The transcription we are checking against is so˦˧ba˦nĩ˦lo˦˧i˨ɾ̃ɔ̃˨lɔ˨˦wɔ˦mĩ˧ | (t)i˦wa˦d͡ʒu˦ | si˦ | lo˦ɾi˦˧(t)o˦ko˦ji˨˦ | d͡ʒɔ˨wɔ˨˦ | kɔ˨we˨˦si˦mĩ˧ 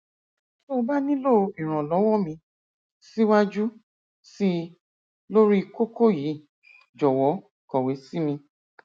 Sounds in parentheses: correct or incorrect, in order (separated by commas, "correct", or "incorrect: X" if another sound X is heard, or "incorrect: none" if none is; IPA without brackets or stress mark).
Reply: incorrect: s, incorrect: k